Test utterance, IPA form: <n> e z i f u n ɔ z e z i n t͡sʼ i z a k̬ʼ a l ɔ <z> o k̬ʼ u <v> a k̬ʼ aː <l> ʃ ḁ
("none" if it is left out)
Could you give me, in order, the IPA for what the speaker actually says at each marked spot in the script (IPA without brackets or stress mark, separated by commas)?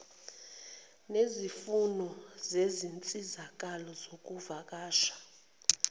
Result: n, z, v, none